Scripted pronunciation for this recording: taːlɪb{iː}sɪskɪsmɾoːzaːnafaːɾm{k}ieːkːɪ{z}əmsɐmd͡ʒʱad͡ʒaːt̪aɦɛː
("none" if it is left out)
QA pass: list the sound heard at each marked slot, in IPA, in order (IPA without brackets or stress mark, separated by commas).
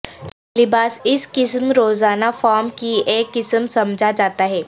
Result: aː, k, s